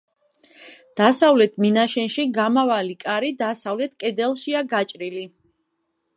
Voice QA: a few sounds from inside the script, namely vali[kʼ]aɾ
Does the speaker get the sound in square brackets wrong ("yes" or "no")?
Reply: no